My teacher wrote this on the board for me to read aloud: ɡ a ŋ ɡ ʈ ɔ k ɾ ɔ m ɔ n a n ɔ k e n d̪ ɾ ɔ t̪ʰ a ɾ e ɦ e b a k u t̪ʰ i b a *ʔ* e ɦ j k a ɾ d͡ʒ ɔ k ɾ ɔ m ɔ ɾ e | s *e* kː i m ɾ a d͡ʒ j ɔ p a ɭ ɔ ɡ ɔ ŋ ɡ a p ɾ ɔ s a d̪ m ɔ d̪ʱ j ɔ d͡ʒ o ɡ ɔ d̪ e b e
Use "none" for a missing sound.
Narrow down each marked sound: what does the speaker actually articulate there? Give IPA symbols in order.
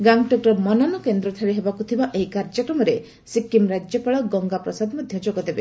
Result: ʔ, i

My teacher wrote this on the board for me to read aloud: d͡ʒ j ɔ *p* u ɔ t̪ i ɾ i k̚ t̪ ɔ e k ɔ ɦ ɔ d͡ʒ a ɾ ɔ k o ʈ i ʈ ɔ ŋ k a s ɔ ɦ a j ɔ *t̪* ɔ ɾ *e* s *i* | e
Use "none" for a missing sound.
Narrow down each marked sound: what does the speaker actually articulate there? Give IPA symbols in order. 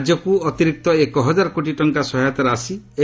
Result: k, t̪, a, i

